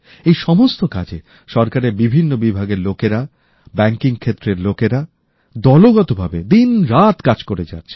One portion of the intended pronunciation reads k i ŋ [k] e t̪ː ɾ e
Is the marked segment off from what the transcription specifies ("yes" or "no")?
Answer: yes